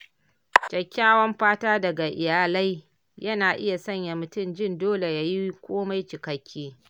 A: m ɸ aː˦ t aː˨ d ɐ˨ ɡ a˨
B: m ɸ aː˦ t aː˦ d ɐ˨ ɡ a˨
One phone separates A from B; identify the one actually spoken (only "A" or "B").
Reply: B